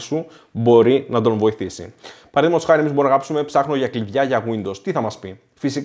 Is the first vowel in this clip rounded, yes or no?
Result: yes